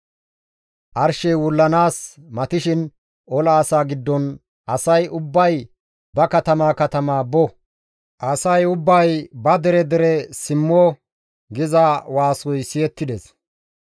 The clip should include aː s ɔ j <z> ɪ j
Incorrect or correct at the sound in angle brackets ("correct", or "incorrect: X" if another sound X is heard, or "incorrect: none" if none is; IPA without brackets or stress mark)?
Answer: incorrect: s